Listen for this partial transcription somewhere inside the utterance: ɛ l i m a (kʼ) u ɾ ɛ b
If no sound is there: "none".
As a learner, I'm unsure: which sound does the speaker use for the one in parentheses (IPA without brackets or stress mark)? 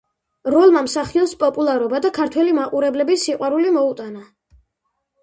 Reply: qʼ